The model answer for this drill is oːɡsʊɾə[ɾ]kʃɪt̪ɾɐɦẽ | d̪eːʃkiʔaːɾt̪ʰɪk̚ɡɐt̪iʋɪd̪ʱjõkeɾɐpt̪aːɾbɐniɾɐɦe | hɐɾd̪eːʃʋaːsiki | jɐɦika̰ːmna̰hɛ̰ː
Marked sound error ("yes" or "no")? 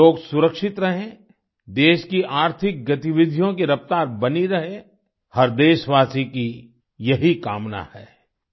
yes